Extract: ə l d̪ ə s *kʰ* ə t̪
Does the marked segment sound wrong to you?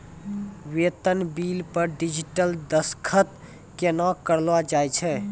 no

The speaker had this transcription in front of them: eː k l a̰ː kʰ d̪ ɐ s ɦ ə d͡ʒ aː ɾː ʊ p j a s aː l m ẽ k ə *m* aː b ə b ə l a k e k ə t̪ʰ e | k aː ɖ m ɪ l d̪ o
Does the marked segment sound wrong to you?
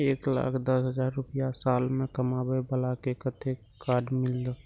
no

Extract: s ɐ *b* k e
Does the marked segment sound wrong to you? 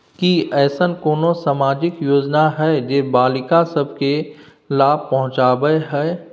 no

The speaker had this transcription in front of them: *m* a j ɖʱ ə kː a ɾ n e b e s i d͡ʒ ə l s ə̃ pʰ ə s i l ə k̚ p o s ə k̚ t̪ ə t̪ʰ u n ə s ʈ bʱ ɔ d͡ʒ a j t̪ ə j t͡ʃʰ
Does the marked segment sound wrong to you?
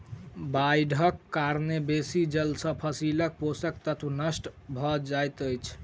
yes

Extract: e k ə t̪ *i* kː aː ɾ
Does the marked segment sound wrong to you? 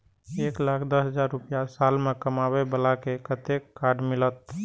yes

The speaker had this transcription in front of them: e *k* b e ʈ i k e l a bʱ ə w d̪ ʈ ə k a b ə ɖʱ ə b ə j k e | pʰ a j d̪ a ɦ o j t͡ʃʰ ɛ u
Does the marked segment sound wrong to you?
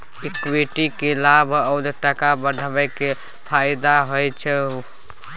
no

